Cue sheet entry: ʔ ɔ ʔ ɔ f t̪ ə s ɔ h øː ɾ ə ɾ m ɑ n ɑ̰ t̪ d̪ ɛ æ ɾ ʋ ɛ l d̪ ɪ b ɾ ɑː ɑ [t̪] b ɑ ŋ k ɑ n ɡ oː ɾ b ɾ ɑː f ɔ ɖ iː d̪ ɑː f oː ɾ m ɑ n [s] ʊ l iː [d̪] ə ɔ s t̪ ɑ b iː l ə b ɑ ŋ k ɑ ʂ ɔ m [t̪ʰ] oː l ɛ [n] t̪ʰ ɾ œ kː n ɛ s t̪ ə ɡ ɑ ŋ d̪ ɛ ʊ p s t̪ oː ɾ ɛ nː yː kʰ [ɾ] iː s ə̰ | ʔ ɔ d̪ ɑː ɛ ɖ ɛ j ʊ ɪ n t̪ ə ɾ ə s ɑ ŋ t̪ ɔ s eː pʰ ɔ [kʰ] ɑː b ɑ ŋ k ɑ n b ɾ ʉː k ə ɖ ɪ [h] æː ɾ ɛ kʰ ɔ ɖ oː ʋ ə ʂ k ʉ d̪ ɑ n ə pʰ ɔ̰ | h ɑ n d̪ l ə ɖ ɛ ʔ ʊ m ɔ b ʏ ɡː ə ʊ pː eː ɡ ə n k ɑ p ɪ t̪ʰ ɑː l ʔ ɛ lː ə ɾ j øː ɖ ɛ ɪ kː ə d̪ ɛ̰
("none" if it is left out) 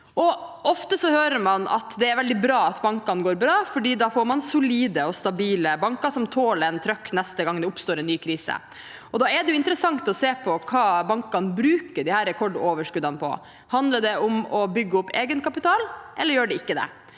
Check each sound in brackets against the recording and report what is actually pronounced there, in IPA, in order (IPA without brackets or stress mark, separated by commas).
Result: t̪, s, d̪, t̪ʰ, n, ɾ, kʰ, h